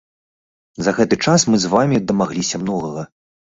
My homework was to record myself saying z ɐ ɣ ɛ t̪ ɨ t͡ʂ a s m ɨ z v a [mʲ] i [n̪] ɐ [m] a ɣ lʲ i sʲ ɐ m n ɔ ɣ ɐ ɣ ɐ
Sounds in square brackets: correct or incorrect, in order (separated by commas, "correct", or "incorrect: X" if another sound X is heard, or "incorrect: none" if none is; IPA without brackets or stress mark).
correct, incorrect: d̪, correct